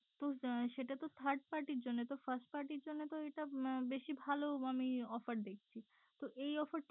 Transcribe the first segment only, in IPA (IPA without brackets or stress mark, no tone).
t̪